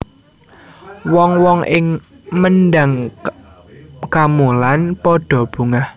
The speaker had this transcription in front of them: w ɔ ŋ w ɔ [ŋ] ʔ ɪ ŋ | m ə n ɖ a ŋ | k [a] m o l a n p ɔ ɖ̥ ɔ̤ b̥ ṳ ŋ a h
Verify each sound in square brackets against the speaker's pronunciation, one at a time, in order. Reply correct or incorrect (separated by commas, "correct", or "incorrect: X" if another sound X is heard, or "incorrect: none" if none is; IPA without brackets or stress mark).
correct, correct